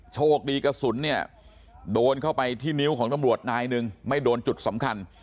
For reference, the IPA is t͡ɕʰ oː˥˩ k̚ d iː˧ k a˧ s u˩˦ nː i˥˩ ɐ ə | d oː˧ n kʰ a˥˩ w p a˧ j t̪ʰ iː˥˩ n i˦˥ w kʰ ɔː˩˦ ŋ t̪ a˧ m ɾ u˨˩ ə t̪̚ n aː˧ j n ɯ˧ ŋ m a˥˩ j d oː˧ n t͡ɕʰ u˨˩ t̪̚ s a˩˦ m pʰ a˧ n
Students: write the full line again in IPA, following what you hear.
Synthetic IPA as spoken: t͡ɕʰ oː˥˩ k̚ d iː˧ k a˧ s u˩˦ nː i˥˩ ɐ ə | d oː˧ n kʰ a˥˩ w p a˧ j t̪ʰ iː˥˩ n i˦˥ w kʰ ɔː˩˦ ŋ t̪ a˧ m ɾ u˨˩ ə t̪̚ n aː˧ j n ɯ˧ ŋ m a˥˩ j d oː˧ n t͡ɕ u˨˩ t̪̚ s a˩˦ m kʰ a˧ n